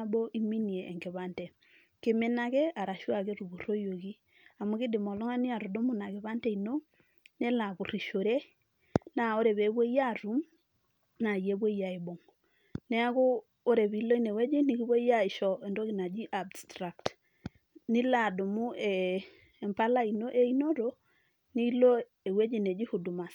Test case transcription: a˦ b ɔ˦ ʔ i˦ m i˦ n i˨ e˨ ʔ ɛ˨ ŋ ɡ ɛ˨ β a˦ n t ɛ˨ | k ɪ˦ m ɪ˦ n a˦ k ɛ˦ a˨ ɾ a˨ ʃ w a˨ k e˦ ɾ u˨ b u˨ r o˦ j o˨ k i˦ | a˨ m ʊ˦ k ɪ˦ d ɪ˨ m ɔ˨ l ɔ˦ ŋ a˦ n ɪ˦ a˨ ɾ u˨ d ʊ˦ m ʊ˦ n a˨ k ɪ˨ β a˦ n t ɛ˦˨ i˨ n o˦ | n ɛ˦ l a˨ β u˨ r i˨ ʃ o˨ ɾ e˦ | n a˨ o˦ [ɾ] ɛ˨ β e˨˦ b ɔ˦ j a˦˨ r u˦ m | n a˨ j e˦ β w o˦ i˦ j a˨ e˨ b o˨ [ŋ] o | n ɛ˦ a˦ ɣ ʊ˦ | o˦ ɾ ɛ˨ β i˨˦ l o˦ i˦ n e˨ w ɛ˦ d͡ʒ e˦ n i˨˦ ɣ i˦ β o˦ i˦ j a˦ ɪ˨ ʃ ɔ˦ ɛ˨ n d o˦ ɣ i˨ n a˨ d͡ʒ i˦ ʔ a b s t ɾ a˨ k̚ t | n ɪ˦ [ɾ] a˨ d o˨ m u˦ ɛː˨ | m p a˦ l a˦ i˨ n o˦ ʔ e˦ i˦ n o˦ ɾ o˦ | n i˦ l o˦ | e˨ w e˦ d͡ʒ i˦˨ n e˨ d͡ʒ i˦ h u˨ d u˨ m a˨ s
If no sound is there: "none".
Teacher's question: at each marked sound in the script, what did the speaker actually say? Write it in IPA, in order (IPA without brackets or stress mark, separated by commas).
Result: ɾ, ŋ, l